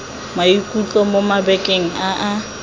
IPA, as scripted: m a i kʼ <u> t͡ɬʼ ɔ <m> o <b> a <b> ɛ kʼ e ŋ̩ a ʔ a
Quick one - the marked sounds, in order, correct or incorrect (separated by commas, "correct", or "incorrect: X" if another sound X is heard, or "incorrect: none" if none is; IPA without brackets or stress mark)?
correct, correct, incorrect: m, correct